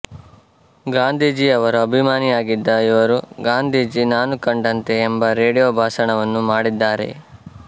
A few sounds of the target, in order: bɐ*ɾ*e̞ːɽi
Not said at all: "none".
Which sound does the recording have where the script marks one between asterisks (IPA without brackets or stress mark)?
ɾ